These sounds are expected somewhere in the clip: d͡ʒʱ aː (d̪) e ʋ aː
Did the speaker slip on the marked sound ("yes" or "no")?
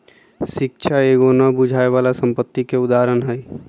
yes